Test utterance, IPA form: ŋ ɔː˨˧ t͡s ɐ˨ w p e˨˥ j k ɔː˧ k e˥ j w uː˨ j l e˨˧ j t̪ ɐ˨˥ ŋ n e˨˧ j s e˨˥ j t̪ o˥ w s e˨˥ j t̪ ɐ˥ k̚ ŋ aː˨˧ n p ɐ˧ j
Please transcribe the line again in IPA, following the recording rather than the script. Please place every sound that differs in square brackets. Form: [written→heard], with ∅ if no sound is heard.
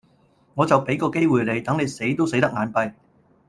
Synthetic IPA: ŋ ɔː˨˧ t͡s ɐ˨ w p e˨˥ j k ɔː˧ k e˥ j w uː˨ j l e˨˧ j t̪ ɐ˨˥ ŋ n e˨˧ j s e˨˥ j t̪ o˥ w s e˨˥ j t̪ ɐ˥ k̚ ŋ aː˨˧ n p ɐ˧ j

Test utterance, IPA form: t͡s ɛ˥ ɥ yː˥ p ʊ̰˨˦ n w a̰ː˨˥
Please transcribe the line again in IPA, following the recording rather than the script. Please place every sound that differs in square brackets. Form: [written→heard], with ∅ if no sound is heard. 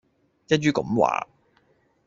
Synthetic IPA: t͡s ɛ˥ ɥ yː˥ [p→k] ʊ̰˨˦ [n→m] w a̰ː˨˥

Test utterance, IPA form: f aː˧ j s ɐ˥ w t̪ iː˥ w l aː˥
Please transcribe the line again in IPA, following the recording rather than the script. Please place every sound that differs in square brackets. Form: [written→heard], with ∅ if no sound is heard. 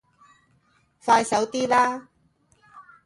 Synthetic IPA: f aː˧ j s [ɐ˥→ɐ˨˥] w t̪ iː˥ [w→∅] l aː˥

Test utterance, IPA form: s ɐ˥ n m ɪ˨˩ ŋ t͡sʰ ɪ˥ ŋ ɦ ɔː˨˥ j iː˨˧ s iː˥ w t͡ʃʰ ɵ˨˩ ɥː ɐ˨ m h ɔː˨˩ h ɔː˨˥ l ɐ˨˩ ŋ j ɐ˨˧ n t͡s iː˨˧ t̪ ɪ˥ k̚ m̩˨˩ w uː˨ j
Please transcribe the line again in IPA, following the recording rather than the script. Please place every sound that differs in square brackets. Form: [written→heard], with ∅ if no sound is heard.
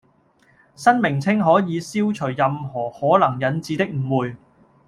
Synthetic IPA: s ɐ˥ n m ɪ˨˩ ŋ t͡sʰ ɪ˥ ŋ ɦ ɔː˨˥ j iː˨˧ s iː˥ w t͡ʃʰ ɵ˨˩ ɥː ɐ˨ m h ɔː˨˩ h ɔː˨˥ l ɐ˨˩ ŋ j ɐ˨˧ n t͡s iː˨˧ t̪ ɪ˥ k̚ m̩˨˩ w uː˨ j

